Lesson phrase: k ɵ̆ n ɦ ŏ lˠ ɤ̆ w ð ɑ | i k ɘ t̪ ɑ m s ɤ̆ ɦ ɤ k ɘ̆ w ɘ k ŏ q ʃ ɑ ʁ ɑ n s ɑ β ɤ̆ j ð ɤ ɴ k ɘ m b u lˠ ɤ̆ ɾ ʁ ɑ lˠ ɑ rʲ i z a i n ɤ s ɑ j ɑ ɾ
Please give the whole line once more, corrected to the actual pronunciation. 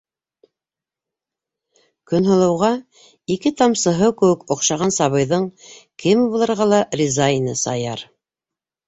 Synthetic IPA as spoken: k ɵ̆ n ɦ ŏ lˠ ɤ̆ w ʁ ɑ | i k ɘ t̪ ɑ m s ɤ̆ ɦ ɤ k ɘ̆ w ɘ k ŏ q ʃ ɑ ʁ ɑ n s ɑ β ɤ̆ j ð ɤ ɴ k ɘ m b u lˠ ɤ̆ ɾ ʁ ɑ lˠ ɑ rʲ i z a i n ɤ s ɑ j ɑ ɾ